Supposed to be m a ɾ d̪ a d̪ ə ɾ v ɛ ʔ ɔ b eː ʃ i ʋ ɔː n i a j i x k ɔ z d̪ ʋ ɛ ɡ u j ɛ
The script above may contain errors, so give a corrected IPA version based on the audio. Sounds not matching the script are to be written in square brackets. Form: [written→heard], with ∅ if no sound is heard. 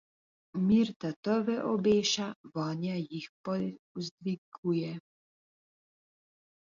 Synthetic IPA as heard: m [a→i] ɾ [d̪→t̪] a [d̪→t̪] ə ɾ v ɛ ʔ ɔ b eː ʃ [i→a] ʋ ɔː n [i→j] a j i x [k→p] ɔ z d̪ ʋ [ɛ→i] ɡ u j ɛ